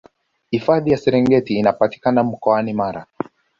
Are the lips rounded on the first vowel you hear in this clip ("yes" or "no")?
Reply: no